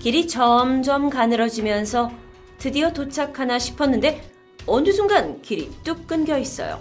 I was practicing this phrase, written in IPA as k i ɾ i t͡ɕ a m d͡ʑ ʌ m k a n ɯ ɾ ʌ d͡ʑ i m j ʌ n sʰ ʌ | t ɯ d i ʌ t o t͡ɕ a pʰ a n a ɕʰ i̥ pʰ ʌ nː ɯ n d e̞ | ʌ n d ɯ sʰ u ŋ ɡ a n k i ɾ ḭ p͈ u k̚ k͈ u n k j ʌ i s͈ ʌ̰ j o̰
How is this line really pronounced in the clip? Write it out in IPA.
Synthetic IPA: k i ɾ i t͡ɕ ʌ m d͡ʑ ʌ m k a n ɯ ɾ ʌ d͡ʑ i m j ʌ n sʰ ʌ | t ɯ d i ʌ t o t͡ɕʰ a kʰ a n a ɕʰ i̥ pʰ ʌ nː ɯ n d e̞ | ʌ n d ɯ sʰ u ŋ ɡ a n k i ɾ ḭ t͈ u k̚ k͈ ɯ n ɡ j ʌ i s͈ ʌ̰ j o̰